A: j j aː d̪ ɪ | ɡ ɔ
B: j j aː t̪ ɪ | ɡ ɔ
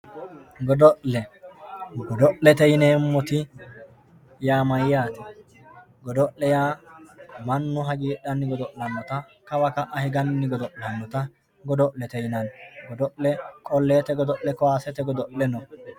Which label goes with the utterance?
B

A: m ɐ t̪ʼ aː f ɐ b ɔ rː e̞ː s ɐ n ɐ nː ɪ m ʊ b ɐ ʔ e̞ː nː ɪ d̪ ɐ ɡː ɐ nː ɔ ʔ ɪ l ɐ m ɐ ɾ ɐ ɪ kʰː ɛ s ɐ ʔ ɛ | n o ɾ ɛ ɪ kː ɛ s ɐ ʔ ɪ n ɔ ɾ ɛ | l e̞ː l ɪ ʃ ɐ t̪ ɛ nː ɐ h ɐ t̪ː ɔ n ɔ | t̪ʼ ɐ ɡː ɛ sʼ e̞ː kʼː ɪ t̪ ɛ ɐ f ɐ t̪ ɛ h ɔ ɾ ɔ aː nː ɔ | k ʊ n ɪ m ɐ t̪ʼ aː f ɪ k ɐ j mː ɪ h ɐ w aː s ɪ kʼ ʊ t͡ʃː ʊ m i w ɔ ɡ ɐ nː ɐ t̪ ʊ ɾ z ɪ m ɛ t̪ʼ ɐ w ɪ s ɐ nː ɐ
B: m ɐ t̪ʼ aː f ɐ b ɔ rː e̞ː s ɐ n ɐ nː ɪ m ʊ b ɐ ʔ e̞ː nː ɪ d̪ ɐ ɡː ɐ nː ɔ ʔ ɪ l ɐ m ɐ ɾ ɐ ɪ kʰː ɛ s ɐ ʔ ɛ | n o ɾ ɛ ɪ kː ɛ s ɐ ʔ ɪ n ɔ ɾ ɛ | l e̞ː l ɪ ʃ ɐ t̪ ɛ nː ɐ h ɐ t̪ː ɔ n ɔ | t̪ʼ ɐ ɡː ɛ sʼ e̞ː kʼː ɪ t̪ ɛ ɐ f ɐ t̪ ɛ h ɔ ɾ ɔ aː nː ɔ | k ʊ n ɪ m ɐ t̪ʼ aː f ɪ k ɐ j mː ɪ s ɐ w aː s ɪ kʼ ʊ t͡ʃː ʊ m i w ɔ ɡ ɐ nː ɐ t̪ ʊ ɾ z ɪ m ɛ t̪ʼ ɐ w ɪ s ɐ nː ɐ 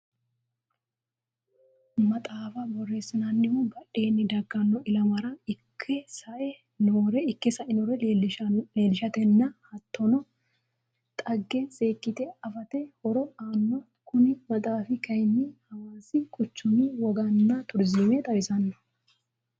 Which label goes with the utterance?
A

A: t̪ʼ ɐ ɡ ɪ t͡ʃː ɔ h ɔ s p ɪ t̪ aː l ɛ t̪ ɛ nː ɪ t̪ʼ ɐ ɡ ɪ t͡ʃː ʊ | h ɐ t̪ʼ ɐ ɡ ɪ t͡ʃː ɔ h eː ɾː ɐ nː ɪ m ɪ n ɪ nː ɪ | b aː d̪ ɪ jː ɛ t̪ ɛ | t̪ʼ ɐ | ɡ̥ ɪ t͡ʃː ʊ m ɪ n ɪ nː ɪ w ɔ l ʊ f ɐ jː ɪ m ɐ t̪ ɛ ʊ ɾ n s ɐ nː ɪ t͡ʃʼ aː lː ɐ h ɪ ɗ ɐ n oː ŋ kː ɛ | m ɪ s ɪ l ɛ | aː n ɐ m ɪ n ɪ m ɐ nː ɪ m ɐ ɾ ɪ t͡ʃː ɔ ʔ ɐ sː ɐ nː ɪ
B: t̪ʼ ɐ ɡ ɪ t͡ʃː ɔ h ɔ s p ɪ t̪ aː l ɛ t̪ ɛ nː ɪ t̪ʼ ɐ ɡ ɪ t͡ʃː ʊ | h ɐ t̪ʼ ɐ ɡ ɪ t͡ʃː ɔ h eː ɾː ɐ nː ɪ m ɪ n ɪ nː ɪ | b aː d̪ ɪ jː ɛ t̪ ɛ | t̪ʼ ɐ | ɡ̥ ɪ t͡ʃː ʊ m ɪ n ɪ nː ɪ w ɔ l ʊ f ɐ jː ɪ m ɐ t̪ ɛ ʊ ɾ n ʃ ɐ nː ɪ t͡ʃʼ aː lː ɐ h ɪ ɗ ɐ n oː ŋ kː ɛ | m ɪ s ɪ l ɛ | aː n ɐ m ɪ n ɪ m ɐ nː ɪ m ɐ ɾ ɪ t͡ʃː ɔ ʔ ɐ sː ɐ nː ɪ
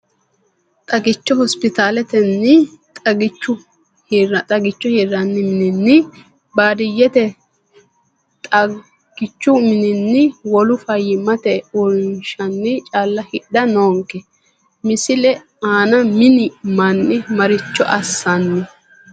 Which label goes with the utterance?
B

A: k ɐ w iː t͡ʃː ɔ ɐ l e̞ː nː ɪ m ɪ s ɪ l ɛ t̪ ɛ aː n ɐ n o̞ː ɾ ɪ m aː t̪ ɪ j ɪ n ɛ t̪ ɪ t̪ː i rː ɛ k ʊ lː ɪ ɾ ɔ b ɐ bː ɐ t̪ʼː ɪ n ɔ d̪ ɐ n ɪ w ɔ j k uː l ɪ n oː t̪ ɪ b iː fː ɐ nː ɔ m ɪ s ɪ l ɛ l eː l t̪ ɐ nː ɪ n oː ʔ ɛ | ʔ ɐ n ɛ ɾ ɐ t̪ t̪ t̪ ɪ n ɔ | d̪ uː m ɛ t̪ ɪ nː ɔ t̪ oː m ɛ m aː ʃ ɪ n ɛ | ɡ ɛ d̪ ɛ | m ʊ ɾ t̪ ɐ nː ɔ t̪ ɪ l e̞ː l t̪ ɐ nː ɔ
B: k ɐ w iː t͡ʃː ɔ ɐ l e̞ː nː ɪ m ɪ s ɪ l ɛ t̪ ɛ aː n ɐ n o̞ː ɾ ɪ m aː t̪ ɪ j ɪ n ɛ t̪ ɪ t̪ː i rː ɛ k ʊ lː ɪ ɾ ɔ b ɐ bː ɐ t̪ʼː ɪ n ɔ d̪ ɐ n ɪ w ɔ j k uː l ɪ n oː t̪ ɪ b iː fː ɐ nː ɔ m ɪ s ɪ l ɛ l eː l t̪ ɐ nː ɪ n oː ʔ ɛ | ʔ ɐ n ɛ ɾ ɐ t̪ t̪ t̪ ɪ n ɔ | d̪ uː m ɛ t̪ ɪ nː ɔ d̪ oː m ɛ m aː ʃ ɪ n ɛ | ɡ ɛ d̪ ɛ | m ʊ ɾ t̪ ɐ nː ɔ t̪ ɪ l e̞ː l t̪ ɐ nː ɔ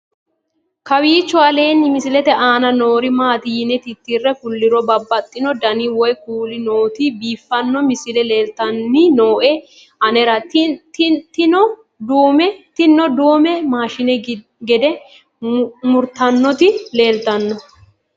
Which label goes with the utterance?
B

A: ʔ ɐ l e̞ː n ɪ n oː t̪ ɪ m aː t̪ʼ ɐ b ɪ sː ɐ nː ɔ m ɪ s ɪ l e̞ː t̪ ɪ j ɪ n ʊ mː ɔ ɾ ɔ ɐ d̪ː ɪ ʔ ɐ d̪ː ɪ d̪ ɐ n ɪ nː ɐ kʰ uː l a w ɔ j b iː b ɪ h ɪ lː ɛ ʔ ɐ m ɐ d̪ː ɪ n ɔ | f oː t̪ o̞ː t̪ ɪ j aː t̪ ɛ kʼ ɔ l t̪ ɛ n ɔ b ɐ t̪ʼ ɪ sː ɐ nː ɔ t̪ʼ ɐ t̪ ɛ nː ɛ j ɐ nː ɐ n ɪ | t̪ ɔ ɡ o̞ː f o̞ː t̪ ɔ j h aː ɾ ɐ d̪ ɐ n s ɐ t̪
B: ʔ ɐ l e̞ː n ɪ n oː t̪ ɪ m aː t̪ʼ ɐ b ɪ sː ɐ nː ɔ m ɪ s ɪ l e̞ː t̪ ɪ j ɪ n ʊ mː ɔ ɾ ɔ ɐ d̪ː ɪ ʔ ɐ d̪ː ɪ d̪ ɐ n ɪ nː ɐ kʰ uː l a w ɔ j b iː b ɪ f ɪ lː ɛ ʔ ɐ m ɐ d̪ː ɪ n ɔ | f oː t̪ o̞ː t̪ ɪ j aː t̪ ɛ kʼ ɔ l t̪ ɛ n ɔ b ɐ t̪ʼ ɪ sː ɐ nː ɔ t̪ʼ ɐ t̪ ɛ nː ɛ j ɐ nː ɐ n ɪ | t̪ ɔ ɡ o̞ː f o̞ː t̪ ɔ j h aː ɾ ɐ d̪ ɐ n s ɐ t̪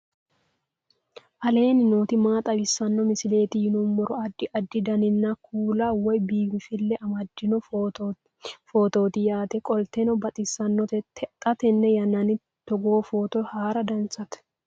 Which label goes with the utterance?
B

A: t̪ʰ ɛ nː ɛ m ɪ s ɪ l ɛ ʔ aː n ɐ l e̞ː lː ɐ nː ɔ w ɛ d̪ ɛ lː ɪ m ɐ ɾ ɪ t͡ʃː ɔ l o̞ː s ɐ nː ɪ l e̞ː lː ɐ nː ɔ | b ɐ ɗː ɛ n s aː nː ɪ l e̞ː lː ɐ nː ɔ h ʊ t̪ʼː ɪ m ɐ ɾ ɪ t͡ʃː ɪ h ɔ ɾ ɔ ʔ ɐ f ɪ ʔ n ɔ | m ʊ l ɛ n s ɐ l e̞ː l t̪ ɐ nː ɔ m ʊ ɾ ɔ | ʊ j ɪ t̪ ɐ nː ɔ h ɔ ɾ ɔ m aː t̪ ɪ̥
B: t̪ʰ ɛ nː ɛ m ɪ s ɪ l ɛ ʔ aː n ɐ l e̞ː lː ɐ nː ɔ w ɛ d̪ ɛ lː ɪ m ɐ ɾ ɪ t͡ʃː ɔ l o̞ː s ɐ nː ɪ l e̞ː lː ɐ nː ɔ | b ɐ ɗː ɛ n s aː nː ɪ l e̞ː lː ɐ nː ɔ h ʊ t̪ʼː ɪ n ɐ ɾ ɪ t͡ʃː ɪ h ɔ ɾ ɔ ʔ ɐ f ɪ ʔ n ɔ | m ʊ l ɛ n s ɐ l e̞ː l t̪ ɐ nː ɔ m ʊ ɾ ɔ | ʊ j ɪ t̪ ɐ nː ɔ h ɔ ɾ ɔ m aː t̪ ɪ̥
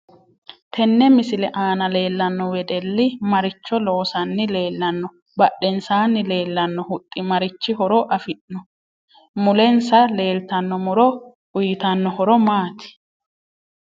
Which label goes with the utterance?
A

